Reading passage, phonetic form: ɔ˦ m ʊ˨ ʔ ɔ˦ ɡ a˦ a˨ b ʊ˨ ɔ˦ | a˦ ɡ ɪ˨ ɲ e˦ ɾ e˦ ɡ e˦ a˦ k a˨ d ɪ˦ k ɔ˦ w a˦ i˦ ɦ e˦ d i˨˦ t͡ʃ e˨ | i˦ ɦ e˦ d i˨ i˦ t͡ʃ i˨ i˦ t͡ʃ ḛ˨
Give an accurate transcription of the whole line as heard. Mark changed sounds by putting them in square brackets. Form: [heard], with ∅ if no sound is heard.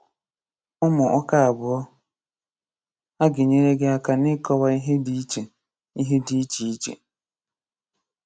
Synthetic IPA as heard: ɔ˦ m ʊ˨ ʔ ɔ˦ [k] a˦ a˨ b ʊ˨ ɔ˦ | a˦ ɡ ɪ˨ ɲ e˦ ɾ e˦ ɡ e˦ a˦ k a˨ [n] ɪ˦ k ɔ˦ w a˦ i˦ ɦ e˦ d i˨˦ t͡ʃ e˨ | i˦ ɦ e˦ d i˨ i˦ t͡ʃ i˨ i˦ t͡ʃ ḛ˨